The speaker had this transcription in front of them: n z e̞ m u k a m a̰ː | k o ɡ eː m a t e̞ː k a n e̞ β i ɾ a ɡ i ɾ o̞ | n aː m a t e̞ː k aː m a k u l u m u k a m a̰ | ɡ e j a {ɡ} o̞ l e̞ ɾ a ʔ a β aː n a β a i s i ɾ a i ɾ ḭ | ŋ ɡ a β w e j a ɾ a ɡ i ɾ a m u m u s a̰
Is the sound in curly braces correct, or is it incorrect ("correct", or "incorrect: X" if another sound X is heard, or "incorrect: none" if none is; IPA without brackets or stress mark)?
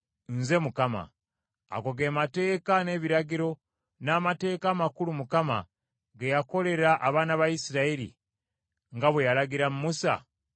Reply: incorrect: k